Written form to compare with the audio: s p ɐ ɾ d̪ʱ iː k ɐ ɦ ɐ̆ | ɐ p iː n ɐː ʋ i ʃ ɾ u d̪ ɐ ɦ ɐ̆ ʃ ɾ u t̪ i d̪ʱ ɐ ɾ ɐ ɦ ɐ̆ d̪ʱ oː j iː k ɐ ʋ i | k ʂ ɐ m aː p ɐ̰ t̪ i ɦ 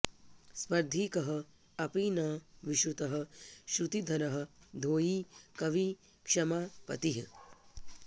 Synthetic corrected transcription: s p ɐ ɾ d̪ʱ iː k ɐ ɦ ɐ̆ | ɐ p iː n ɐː ʋ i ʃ ɾ u t̪ ɐ ɦ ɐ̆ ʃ ɾ u t̪ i d̪ʱ ɐ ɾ ɐ ɦ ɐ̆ d̪ʱ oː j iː k ɐ ʋ i | k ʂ ɐ m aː p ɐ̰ t̪ i ɦ